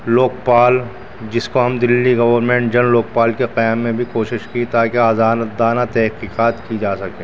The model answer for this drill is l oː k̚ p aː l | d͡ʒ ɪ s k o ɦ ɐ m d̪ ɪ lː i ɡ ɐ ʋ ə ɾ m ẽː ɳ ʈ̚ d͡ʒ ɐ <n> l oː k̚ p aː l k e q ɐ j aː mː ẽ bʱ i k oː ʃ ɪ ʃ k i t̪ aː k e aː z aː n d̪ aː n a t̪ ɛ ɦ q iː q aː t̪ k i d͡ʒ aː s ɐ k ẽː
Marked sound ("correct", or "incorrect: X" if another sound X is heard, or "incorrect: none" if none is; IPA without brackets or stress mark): correct